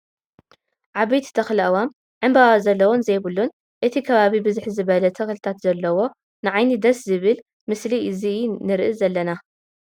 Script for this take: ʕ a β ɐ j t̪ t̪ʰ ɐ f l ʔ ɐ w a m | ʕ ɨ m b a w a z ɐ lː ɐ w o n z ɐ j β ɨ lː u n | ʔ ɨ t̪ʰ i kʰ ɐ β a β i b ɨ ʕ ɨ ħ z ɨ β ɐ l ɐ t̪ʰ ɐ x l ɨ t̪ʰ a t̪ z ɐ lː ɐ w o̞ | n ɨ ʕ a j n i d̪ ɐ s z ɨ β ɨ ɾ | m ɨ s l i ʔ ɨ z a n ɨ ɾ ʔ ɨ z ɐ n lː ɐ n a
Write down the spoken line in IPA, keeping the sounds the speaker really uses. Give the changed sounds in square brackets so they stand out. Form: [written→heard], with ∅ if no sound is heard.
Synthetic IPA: ʕ a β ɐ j t̪ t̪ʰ ɐ [f→x] l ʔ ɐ w a m | ʕ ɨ m b a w a z ɐ lː ɐ w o n z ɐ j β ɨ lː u n | ʔ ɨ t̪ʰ i kʰ ɐ β a β i b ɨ [ʕ→z] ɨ ħ z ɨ β ɐ l ɐ t̪ʰ ɐ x l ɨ t̪ʰ a t̪ z ɐ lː ɐ w o̞ | n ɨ ʕ a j n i d̪ ɐ s z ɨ β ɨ [ɾ→l] | m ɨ s l i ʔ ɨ z [a→i] n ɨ ɾ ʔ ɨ z ɐ [n→∅] lː ɐ n a